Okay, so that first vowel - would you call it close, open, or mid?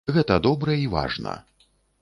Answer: mid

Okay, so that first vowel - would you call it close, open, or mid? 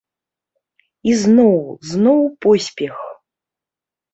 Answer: close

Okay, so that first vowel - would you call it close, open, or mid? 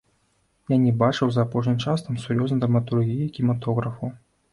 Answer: open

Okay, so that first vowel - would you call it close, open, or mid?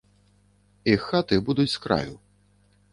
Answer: close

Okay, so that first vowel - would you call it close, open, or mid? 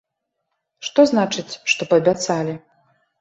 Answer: mid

